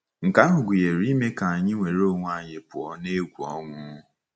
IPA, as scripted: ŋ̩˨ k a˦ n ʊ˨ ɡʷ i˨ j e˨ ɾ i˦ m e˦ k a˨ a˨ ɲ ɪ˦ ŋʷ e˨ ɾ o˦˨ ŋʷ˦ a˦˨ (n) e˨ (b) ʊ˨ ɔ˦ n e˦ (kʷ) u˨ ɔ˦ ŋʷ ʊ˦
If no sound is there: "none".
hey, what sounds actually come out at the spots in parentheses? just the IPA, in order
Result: ɲ, p, ɡʷ

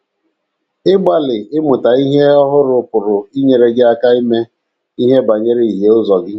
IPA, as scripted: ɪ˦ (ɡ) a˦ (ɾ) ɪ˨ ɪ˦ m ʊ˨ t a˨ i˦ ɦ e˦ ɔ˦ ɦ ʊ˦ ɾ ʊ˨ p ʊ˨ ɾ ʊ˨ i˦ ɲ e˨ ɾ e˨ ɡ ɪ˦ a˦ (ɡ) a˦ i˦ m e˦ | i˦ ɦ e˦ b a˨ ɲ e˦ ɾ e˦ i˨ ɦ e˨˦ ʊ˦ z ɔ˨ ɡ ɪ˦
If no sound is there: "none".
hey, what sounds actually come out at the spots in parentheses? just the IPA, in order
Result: ɡ͡b, l, k

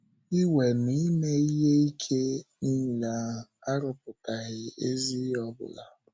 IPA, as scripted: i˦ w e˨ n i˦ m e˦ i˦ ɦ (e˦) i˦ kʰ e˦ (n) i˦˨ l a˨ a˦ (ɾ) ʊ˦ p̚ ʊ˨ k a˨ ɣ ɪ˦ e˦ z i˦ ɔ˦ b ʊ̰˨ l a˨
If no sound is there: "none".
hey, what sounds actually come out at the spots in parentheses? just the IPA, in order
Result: e˦, n, ɾ

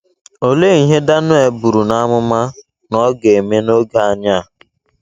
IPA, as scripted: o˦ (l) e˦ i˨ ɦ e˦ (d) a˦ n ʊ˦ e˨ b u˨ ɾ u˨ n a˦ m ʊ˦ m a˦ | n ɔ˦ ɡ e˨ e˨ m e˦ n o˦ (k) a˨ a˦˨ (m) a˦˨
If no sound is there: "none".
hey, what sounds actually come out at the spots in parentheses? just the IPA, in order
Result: l, d, ɡ, ɲ

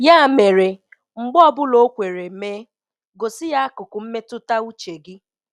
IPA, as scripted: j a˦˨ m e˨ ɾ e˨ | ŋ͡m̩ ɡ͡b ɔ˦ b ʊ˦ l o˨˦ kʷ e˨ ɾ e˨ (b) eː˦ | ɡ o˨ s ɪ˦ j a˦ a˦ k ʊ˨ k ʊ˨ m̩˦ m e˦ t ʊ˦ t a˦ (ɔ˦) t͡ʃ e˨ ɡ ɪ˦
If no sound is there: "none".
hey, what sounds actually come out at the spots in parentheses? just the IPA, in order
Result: m, u˦

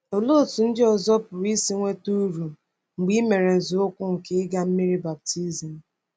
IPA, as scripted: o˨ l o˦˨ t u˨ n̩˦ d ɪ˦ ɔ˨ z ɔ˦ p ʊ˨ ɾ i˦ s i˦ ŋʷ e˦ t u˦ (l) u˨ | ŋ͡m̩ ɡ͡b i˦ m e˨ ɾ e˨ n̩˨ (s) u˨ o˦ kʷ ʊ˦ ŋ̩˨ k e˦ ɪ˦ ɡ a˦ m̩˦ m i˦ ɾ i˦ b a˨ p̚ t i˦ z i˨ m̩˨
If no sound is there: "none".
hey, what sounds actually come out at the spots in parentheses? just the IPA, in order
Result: ɾ, z

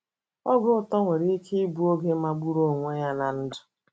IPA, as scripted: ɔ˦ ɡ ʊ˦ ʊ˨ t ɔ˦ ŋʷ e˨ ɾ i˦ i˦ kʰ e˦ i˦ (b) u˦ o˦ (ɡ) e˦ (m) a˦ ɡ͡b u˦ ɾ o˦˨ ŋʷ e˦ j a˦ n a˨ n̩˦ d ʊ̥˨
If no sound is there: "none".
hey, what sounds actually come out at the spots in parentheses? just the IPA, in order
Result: b, ɡ, m

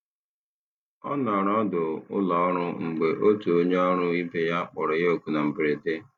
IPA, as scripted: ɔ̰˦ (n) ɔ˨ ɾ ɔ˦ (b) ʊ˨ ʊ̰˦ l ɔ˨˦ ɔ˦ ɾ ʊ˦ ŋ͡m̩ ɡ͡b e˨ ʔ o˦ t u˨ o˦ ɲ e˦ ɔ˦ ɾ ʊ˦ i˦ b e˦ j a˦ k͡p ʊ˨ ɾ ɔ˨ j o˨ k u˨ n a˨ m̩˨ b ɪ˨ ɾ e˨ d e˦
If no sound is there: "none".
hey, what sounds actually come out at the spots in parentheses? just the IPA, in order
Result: n, d

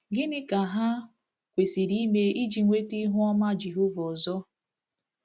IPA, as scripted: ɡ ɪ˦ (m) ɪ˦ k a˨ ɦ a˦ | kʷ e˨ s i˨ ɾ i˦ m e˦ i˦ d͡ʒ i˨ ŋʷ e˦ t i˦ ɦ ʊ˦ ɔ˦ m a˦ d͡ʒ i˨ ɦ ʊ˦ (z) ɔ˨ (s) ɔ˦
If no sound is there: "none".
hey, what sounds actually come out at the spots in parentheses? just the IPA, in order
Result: n, v, z

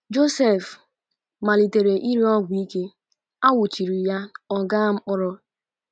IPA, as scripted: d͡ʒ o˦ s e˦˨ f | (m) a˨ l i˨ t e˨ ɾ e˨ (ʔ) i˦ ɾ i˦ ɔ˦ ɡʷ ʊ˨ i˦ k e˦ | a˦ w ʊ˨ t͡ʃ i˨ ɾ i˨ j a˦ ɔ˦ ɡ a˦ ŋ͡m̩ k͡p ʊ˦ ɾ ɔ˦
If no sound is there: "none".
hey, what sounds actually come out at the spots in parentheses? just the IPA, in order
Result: m, ʔ

